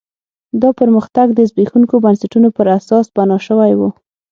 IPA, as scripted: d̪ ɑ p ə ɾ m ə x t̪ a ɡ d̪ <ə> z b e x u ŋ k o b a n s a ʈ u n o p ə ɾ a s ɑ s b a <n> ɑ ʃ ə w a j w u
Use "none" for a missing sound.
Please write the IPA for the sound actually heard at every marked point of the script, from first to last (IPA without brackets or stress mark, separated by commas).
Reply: ə, n